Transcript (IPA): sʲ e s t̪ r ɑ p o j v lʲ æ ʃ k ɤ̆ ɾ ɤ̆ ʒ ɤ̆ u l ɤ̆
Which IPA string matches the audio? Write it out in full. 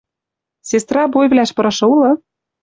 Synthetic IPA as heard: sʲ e s t̪ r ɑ b o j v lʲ æ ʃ p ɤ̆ ɾ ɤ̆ ʃ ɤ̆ u l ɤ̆